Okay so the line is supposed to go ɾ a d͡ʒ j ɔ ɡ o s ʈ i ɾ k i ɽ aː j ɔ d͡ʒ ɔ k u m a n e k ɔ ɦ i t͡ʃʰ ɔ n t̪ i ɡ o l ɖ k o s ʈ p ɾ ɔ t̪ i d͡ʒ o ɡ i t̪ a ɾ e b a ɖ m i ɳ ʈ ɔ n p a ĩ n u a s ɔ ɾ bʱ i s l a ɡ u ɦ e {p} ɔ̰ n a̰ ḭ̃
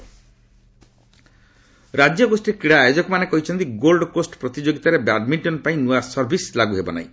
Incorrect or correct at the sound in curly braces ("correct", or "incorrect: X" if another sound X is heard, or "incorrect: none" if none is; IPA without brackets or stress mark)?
incorrect: b